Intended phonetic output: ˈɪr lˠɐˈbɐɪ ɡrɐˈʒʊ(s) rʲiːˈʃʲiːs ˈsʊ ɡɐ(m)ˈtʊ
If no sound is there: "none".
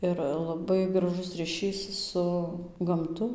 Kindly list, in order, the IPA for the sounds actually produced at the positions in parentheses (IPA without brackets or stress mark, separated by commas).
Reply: s, m